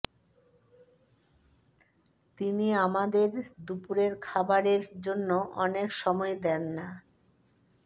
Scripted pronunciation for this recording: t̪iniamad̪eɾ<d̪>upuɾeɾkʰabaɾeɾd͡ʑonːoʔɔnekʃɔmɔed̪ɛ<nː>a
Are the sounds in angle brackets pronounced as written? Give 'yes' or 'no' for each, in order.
yes, yes

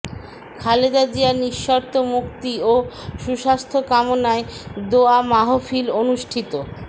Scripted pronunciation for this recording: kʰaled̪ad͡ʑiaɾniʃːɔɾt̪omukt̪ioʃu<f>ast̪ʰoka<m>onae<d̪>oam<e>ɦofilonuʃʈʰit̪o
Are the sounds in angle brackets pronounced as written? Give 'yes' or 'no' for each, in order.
no, yes, yes, no

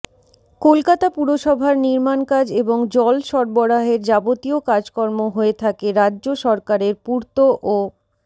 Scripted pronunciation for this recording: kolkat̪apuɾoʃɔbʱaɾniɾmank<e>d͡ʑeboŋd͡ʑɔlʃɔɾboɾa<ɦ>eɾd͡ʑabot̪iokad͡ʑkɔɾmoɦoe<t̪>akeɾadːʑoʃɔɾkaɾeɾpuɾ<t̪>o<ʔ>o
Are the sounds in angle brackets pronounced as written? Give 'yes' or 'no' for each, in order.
no, yes, no, yes, yes

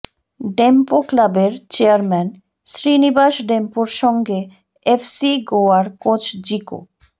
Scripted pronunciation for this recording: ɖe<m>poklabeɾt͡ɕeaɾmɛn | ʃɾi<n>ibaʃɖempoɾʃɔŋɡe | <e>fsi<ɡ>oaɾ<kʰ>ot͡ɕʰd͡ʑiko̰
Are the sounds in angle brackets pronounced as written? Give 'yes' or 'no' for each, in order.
yes, yes, yes, yes, no

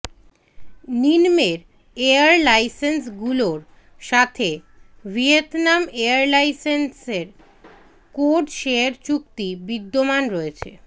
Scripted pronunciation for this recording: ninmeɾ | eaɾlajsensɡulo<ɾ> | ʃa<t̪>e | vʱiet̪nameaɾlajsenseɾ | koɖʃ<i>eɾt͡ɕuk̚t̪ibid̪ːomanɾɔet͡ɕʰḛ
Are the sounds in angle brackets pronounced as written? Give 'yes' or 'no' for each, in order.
yes, no, no

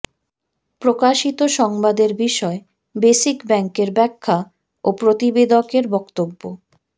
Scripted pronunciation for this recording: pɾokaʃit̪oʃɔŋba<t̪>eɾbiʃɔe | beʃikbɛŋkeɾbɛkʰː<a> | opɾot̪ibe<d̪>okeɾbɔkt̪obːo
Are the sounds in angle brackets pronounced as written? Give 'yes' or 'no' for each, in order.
no, yes, yes

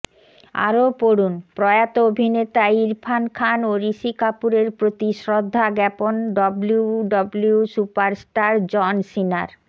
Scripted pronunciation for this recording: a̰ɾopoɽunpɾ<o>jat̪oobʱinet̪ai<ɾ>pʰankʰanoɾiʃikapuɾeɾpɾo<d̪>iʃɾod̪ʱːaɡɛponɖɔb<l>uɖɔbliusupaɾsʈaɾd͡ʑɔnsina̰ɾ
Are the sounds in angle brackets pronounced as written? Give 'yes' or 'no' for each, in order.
no, yes, no, yes

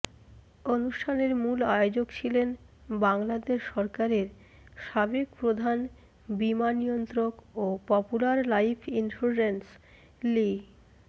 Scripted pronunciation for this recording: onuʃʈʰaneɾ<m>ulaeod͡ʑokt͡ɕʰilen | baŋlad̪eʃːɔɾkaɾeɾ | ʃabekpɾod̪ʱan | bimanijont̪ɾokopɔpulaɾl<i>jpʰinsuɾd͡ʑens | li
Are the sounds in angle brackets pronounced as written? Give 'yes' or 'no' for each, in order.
yes, no

